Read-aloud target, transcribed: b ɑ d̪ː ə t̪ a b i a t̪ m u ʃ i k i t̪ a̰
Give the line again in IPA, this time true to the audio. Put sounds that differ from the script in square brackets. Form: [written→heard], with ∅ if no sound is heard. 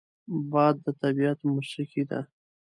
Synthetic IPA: b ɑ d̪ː ə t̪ a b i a t̪ m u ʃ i k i [t̪→d̪] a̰